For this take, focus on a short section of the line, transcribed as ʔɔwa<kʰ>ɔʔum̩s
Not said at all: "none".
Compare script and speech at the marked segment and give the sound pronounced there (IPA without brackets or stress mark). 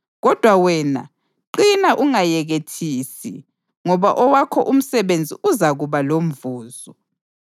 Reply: kʰ